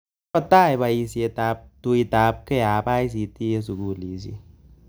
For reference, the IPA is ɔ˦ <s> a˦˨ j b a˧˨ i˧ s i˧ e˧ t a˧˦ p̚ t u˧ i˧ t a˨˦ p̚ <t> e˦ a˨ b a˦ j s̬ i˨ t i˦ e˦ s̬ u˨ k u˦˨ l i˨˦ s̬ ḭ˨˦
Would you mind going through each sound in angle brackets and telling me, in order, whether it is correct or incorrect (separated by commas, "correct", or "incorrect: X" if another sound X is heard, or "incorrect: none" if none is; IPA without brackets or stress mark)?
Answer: incorrect: t, incorrect: k